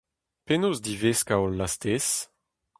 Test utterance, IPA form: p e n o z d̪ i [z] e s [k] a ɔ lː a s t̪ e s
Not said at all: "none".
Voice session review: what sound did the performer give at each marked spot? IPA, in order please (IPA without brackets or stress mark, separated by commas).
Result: v, k